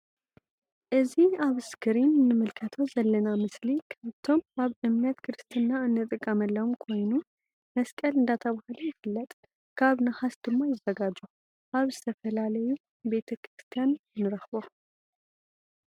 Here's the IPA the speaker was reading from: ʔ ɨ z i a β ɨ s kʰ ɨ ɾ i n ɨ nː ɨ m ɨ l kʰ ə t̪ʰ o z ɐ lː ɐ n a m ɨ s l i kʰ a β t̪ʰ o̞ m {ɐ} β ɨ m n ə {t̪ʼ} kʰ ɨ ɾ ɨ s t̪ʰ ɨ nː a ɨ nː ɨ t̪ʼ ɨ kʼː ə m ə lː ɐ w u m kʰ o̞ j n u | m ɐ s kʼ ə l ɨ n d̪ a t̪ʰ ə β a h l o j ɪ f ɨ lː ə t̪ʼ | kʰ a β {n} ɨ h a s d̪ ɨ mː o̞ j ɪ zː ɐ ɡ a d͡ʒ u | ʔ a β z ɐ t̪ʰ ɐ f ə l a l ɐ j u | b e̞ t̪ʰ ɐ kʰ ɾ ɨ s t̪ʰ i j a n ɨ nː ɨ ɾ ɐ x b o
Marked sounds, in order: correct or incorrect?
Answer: incorrect, incorrect, correct

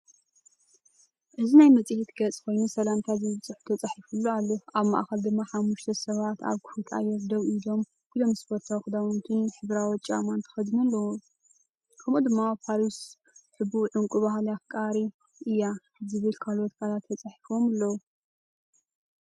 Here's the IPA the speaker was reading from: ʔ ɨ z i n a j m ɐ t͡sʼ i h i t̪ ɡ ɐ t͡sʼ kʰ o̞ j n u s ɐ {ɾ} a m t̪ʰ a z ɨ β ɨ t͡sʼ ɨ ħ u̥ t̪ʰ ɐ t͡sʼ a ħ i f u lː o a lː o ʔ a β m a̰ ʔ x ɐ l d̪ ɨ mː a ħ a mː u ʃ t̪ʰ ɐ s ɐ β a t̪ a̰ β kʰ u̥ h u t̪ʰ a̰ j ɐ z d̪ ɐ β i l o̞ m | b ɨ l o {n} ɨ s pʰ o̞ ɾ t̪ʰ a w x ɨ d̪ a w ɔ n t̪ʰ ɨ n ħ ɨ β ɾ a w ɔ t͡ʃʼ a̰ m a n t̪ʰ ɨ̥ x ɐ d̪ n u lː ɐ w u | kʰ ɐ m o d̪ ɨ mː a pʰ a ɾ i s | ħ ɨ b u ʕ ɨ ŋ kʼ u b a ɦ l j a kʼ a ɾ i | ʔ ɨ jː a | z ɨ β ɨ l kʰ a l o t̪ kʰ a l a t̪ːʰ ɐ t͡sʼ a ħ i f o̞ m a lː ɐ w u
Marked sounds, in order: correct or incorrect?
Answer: incorrect, incorrect

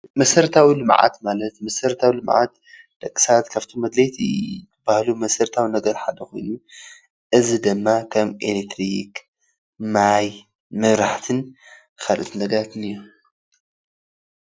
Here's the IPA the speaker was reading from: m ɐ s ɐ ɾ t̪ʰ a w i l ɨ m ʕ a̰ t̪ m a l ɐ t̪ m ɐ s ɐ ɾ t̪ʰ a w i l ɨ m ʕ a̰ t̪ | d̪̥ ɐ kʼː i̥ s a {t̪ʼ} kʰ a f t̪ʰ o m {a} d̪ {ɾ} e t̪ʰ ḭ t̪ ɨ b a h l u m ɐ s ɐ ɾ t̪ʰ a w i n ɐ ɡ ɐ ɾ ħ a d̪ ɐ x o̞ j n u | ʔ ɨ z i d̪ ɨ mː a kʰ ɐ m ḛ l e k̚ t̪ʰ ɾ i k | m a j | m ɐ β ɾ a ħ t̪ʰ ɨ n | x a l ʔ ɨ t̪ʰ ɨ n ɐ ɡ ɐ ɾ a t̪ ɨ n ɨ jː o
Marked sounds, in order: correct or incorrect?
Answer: incorrect, incorrect, incorrect

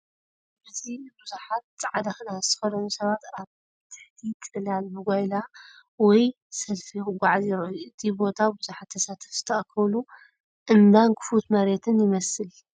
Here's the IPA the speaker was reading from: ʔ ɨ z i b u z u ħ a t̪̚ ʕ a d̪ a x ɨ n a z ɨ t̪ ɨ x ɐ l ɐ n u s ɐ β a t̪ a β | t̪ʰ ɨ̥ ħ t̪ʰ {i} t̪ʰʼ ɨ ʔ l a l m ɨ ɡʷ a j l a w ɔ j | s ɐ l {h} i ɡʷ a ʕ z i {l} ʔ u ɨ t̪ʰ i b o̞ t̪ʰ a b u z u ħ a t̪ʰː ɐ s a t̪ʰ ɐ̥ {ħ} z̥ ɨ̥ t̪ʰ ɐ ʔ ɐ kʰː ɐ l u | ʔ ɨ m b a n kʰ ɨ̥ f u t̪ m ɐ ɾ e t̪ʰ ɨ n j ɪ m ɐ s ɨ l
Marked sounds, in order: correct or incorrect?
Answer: correct, incorrect, incorrect, incorrect

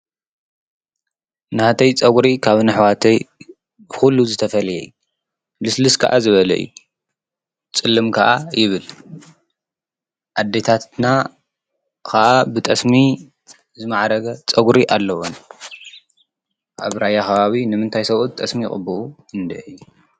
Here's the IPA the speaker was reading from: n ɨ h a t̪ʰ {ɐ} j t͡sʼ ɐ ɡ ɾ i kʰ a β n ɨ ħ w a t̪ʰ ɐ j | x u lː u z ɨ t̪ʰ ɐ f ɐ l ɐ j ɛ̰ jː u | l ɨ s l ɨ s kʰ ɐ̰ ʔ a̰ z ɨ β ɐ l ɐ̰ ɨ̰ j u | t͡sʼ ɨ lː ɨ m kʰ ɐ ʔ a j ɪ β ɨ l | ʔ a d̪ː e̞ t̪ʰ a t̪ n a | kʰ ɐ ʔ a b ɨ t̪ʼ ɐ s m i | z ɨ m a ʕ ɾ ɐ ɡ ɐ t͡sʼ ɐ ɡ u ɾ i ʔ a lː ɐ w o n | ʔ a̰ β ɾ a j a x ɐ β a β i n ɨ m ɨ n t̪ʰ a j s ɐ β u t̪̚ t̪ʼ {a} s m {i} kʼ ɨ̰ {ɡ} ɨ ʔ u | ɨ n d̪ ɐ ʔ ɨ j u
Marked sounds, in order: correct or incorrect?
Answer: correct, incorrect, correct, incorrect

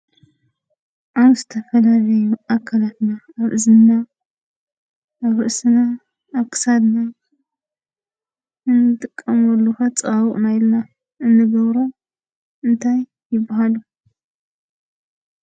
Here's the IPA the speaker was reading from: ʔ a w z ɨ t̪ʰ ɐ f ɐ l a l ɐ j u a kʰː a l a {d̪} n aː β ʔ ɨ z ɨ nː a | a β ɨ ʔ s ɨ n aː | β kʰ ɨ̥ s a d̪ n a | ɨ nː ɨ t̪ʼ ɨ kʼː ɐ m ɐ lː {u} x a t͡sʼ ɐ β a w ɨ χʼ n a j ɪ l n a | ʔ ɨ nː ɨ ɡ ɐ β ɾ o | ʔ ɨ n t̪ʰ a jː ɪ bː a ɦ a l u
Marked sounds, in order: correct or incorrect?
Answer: incorrect, correct

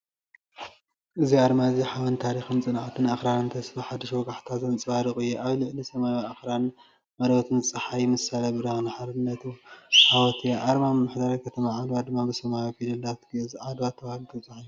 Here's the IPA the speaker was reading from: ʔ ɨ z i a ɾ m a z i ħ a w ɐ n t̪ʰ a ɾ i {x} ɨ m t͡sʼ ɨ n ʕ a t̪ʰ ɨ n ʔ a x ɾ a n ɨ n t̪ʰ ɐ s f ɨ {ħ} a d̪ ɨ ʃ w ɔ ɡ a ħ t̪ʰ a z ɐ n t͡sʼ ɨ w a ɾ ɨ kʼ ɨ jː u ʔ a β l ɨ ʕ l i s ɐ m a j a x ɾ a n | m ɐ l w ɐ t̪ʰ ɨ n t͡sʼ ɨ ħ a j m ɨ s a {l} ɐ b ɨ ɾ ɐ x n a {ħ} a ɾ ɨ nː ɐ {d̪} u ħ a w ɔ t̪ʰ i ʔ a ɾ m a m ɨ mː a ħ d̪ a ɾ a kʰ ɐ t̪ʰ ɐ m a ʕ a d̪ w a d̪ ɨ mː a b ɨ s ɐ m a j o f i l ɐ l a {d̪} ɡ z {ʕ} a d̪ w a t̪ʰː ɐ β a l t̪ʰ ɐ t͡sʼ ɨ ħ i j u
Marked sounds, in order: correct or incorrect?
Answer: correct, correct, correct, correct, incorrect, incorrect, correct

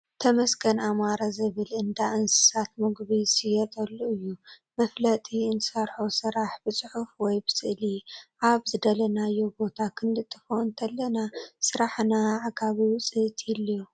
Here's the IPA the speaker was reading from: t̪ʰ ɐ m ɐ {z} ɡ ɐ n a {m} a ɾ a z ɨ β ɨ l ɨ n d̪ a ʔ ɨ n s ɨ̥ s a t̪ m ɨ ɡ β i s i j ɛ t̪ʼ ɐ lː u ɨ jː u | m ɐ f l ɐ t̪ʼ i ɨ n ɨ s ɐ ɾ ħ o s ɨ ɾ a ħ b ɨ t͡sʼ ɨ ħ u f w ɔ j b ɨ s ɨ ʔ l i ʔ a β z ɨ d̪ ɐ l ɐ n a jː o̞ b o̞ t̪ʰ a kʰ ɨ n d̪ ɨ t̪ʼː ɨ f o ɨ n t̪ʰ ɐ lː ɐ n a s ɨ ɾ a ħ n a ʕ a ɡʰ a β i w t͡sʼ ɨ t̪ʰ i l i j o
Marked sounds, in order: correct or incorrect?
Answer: incorrect, correct

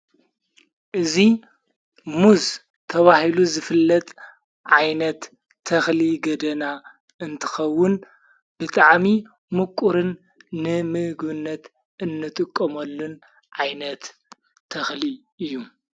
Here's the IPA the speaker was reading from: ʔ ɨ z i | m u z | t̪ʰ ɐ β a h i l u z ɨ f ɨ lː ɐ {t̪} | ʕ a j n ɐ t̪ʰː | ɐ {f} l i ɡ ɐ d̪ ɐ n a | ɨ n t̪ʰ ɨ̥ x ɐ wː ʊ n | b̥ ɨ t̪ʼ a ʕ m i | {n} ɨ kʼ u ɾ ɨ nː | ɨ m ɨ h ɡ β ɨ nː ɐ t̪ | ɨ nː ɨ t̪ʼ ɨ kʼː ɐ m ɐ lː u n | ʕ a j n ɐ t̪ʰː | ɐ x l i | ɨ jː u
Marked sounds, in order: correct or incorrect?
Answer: incorrect, incorrect, incorrect

